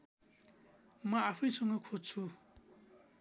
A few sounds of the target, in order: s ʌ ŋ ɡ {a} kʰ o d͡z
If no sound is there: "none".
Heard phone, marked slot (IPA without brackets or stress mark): ʌ